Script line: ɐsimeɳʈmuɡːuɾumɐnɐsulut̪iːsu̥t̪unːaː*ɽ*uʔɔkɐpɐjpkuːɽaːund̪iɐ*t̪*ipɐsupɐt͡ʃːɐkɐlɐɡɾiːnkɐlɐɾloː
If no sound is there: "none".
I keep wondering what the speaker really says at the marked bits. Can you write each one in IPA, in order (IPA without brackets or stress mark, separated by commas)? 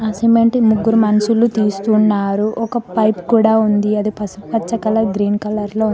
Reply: ɾ, d̪